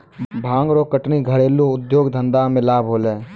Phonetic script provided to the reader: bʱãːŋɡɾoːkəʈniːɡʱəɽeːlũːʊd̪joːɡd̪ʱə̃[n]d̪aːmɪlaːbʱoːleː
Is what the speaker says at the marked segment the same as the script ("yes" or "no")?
yes